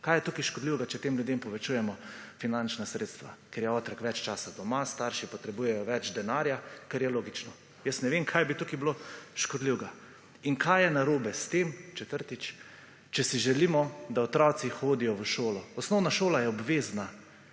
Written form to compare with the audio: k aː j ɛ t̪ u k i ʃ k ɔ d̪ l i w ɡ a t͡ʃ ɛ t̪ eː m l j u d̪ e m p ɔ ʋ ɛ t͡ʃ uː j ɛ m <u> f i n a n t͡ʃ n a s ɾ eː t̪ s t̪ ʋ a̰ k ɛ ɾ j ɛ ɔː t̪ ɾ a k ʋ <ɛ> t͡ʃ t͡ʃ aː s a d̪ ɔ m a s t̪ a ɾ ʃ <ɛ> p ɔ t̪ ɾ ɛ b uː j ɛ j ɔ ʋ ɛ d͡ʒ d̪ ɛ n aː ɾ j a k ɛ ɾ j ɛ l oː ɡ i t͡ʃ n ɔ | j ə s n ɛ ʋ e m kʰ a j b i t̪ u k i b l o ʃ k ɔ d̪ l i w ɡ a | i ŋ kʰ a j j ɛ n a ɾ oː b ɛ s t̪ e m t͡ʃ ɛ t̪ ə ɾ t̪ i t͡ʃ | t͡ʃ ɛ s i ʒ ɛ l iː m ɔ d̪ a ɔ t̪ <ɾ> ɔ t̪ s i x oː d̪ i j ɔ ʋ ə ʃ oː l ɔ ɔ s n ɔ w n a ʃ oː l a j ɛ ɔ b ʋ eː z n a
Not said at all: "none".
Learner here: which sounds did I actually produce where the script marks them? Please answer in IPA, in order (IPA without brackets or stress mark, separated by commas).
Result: ɔ, ɛ, i, ɾ